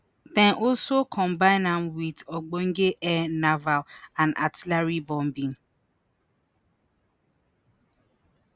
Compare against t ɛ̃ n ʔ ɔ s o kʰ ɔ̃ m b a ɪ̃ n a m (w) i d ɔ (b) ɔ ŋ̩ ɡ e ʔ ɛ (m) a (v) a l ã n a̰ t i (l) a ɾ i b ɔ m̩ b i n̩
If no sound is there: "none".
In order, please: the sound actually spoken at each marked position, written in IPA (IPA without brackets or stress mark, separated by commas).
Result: w, ɡ͡b, n, v, l